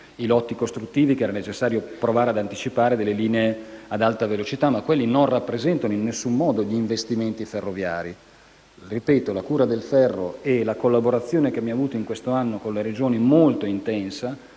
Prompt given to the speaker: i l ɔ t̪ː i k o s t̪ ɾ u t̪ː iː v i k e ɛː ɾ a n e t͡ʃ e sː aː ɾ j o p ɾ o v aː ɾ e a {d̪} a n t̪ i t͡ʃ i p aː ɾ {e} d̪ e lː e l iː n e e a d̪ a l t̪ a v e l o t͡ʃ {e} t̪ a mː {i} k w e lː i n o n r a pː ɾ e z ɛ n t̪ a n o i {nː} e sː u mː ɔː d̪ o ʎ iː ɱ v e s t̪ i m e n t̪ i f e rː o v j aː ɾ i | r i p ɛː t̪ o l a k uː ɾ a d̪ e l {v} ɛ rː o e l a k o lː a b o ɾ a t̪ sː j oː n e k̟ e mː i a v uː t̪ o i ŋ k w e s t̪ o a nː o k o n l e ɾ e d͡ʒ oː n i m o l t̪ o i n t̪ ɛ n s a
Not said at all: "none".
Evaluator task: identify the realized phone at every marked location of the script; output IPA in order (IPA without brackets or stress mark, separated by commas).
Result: d̪, e, i, a, nː, f